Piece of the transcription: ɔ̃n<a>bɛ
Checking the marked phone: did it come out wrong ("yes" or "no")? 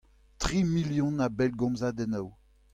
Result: no